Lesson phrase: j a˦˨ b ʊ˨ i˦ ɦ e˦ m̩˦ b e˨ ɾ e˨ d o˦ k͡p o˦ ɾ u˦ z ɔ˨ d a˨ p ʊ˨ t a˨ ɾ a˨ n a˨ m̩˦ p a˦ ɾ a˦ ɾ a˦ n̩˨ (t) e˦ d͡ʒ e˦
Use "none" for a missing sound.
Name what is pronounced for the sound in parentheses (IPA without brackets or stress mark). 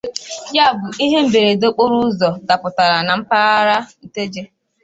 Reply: t